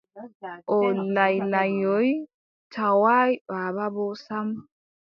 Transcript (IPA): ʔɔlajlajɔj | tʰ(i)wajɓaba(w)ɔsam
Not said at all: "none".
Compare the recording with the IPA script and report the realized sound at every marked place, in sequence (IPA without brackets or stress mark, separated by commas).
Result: a, b